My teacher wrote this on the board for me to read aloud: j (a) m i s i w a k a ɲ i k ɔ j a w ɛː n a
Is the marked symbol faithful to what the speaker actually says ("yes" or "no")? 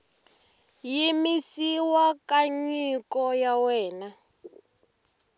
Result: no